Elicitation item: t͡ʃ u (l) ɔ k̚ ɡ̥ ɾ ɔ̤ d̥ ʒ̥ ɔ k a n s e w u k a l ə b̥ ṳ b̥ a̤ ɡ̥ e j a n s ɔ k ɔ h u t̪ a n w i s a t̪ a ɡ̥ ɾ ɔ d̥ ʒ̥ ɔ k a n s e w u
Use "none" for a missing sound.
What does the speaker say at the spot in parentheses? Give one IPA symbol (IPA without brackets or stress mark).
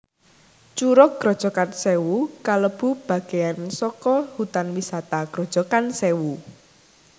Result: ɾ